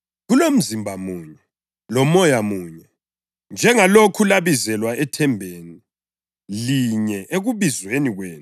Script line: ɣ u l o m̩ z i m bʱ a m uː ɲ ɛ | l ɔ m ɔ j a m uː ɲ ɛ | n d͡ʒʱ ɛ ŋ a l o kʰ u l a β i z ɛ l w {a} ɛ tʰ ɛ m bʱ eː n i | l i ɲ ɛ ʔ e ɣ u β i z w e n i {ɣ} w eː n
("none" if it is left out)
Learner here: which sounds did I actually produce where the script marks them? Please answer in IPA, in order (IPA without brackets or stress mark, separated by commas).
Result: a, ɣ